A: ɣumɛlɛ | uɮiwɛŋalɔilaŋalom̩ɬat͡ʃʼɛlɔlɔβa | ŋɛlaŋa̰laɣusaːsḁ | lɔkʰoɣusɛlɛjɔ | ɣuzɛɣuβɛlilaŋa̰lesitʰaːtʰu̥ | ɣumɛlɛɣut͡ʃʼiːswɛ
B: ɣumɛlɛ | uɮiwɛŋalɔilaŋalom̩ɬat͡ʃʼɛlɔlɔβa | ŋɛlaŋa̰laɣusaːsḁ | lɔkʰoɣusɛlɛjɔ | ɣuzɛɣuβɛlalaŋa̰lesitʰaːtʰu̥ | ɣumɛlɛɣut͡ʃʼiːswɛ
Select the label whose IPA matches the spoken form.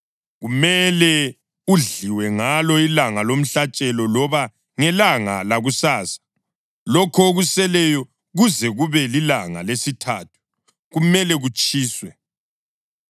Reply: A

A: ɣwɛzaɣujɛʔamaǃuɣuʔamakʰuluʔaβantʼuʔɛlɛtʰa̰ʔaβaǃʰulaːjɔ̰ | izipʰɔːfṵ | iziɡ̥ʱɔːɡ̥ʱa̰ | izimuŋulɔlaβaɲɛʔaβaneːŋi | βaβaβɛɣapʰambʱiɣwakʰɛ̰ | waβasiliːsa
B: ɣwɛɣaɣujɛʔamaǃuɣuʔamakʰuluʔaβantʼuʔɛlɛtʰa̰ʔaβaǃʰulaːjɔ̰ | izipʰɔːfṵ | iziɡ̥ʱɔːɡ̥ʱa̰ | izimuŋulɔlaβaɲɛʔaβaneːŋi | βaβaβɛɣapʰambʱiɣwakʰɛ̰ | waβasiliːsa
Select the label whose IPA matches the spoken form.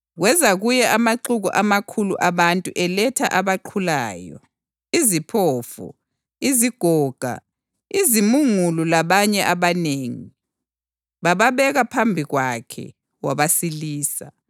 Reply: A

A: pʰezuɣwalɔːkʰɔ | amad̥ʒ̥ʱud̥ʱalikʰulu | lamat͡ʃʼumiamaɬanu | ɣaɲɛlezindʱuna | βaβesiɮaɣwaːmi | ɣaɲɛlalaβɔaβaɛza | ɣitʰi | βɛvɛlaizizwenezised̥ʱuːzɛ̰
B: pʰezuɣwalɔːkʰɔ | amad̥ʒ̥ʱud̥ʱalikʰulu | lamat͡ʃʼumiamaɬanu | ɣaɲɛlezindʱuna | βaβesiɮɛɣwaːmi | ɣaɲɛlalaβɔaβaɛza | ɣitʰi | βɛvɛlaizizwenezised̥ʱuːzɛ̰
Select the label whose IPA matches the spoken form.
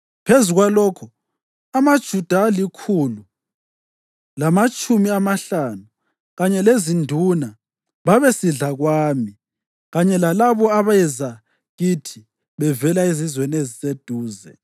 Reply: A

